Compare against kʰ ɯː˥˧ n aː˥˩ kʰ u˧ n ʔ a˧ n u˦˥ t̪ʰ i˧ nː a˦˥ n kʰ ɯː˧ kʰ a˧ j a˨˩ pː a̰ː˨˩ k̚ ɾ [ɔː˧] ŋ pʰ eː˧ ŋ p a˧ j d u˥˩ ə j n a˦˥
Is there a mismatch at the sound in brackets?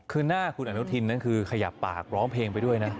yes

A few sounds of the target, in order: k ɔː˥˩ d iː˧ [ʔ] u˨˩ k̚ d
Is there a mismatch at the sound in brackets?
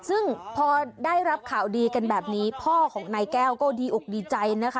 no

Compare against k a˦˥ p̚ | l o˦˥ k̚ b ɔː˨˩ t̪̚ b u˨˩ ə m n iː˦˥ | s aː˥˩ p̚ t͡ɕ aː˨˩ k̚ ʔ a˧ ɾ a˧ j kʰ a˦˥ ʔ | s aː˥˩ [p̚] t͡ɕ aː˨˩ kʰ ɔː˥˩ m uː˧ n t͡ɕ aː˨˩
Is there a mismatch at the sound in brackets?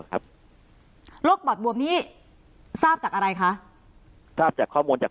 no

